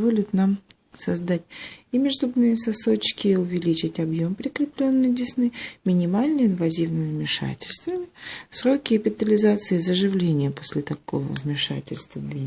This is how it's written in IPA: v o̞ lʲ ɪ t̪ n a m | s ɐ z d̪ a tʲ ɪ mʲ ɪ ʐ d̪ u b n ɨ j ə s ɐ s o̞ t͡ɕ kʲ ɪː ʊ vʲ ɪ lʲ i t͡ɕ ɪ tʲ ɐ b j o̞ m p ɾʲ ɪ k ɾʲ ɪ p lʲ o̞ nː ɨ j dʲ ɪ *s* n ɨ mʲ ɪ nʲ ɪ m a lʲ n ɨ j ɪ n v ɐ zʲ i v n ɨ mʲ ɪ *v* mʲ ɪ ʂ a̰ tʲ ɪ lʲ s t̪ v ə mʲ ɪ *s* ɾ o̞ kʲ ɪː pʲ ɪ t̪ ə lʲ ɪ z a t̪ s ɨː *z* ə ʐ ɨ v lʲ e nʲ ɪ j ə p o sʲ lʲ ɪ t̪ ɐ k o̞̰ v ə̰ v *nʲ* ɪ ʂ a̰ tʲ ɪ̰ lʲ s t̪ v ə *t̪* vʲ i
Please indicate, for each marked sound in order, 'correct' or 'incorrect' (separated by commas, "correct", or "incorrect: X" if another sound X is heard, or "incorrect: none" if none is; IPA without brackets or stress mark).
correct, correct, correct, correct, incorrect: mʲ, incorrect: d̪